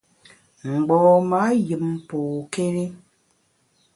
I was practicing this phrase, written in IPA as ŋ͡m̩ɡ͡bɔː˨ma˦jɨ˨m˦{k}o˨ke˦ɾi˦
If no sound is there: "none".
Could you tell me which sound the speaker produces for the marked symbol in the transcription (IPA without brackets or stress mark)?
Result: p